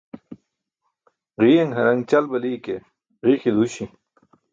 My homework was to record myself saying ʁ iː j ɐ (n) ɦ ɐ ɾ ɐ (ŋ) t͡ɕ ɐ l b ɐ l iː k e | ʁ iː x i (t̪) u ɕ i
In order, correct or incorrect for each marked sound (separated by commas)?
incorrect, correct, incorrect